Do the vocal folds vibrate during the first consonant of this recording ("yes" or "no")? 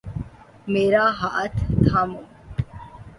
yes